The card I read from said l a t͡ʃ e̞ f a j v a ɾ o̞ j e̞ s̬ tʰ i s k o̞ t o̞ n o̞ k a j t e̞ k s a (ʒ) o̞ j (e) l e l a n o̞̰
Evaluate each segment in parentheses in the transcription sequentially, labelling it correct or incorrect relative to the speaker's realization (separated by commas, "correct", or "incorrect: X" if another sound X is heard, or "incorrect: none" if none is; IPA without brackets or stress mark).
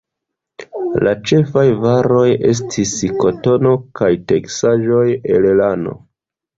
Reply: correct, correct